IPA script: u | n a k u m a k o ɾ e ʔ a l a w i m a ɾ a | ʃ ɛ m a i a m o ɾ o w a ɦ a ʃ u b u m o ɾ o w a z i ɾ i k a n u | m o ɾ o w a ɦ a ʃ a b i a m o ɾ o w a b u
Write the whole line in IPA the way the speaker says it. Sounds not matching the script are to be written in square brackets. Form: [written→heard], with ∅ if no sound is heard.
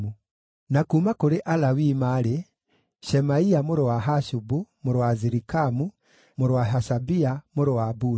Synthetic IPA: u | n a k u m a k o ɾ e ʔ a l a w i m a ɾ [a→e] | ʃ ɛ m a i a m o ɾ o w a ɦ a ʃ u b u m o ɾ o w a z i ɾ i k a [n→m] u | m o ɾ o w a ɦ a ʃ a b i a m o ɾ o w a b u